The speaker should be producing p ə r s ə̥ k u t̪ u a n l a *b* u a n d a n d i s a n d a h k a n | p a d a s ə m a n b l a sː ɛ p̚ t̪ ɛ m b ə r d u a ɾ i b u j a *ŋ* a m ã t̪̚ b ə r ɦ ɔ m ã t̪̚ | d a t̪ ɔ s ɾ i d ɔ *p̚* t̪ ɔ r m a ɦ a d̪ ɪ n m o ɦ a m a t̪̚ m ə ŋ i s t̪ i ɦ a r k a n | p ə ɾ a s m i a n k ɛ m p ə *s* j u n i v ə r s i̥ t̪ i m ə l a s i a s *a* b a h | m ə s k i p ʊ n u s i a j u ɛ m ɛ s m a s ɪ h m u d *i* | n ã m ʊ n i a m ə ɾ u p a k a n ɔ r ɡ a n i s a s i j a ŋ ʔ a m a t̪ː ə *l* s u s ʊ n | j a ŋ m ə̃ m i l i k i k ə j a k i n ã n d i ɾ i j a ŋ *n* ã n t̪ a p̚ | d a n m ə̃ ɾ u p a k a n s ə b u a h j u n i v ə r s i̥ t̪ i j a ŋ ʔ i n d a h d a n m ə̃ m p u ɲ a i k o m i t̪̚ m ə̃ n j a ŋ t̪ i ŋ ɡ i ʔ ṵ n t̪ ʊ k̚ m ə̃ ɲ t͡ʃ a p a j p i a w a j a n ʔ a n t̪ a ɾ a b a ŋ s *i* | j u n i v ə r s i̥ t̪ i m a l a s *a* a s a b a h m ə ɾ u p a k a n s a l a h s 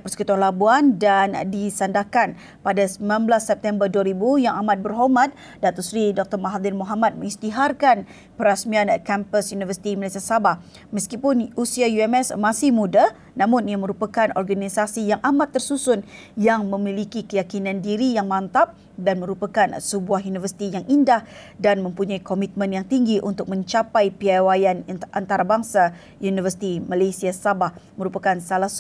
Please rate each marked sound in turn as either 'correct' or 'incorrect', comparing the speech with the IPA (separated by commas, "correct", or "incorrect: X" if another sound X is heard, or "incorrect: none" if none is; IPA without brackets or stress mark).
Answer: correct, correct, incorrect: k̚, correct, correct, incorrect: a, incorrect: r, incorrect: m, incorrect: a, incorrect: i